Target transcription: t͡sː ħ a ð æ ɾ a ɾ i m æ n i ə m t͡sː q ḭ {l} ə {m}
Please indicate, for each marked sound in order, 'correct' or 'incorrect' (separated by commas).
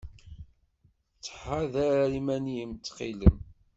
correct, correct